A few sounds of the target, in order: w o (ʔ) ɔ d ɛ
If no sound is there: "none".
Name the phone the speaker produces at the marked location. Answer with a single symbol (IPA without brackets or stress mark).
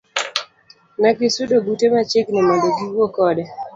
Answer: k